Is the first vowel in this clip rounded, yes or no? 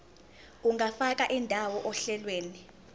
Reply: yes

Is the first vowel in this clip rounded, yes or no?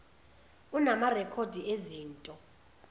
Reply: yes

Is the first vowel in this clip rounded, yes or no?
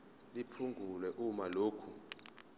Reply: no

